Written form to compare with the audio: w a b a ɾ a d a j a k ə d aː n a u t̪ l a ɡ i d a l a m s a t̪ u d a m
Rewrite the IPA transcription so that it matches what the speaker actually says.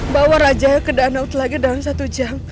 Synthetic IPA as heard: b a w a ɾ a d͡ʒ a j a k ə d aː n a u t̪ l a ɡ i d a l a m s a t̪ u d͡ʒ a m